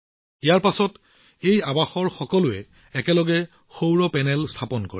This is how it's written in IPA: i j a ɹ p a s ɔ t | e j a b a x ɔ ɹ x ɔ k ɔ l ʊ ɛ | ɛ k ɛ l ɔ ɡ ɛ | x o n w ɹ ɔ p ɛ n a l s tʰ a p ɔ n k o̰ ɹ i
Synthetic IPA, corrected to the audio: i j a ɹ p a s ɔ t | e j a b a x ɔ ɹ x ɔ k ɔ l ʊ ɛ | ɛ k ɛ l ɔ ɡ ɛ | x o w ɹ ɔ p ɛ n ɛ l s tʰ a p ɔ n k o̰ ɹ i